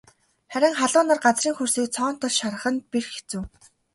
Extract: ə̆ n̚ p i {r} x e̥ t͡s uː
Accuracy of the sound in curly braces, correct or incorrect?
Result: correct